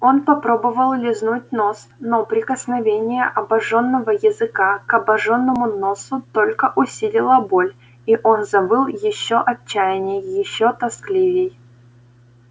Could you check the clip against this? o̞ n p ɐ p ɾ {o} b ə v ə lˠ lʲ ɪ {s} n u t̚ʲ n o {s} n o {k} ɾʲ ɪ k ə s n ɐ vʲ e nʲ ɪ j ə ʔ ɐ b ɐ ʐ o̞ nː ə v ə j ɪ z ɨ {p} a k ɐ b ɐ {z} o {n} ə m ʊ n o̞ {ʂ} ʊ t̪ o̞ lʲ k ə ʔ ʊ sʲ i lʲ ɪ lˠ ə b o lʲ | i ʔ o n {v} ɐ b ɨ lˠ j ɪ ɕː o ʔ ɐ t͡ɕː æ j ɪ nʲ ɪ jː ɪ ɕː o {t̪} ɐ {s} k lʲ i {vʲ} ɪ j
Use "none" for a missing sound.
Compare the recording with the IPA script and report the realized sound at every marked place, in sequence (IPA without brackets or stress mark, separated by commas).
o, z, s, p, k, ʐ, nː, s, z, t̪, s, vʲ